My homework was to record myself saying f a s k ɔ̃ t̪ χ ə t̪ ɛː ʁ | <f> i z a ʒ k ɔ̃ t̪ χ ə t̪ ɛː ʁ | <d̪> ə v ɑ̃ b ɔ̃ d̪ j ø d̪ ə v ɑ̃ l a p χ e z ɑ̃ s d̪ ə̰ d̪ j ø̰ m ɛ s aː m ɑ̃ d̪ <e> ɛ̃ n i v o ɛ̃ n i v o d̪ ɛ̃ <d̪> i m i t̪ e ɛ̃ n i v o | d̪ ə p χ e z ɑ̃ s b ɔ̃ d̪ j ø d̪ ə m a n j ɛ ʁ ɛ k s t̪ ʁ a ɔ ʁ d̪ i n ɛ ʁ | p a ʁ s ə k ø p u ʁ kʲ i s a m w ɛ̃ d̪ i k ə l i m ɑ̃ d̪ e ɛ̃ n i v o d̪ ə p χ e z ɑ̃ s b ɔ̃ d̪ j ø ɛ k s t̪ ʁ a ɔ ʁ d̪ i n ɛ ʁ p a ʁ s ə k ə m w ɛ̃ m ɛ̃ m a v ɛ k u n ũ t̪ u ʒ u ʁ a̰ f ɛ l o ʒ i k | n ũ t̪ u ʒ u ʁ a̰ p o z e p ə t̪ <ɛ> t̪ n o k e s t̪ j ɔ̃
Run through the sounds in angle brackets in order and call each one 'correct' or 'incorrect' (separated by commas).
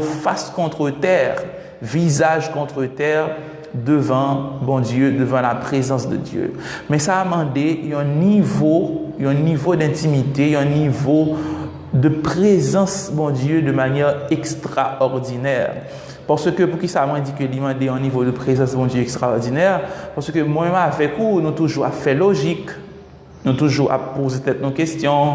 incorrect, correct, correct, incorrect, correct